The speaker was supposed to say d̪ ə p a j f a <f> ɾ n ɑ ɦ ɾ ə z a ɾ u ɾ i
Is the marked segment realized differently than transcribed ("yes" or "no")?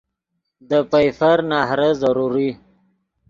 yes